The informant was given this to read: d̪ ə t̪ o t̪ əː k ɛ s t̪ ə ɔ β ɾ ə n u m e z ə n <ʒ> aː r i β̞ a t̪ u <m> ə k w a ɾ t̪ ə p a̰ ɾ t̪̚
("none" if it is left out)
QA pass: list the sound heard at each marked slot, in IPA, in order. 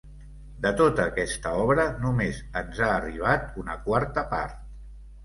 z, n

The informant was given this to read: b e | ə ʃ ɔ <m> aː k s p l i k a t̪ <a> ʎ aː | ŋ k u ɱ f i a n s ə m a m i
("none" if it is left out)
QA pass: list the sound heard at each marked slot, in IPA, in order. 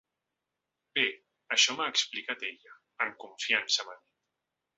m, e

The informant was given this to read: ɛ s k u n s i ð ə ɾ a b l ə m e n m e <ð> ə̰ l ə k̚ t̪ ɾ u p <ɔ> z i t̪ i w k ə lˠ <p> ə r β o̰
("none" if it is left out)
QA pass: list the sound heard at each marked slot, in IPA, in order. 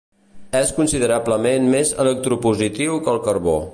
z, u, k

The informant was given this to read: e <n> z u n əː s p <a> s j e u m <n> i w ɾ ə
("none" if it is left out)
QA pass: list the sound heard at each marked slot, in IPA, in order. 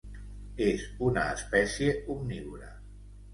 none, ɛ, n

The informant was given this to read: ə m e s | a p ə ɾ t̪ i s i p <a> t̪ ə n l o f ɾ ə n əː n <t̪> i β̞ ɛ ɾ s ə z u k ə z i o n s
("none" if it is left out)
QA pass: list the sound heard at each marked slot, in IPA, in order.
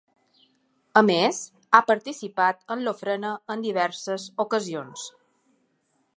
a, d̪

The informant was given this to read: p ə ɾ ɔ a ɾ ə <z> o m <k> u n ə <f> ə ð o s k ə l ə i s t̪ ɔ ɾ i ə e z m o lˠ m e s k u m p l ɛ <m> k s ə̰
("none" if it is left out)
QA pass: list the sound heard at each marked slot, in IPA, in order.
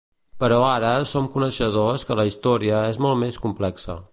s, k, ʃ, none

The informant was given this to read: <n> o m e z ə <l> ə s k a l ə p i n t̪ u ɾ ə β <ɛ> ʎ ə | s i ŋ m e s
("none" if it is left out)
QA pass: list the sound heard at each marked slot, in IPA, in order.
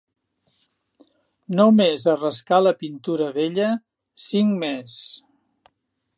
n, r, e

